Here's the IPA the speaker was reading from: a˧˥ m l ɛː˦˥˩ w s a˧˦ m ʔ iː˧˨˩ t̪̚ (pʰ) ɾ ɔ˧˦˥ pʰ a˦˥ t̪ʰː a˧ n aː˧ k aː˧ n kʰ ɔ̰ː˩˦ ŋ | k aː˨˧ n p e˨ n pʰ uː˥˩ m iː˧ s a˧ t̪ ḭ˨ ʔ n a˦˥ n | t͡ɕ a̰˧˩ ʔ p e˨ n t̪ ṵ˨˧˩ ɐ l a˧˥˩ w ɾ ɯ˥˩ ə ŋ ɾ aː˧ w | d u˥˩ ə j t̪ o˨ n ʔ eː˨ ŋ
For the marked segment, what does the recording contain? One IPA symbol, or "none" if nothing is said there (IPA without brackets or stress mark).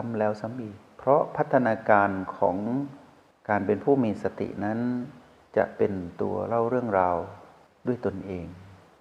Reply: pʰ